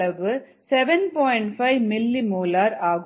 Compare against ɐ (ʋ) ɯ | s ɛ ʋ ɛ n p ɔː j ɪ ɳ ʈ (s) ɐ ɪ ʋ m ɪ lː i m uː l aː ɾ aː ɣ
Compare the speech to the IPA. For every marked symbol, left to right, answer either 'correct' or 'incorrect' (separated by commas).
correct, incorrect